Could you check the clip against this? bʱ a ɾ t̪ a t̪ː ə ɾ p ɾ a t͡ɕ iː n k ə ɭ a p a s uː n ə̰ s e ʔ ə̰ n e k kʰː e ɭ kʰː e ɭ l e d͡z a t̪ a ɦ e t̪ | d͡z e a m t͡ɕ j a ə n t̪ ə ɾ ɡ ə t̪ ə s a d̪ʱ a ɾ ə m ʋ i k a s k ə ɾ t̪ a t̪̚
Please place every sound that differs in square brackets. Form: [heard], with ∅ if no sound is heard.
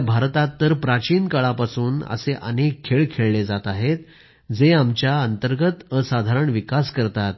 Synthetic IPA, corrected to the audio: bʱ a ɾ t̪ a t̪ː ə ɾ p ɾ a t͡ɕ iː n k ə ɭ a p a s uː n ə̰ s e ʔ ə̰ n e k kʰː e ɭ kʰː e ɭ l e d͡z a t̪ a ɦ e t̪ | d͡z e a m t͡ɕ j a ə n t̪ ə ɾ ɡ ə t̪ ə s a d̪ʱ a ɾ ə [ɳ] ʋ i k a s k ə ɾ t̪ a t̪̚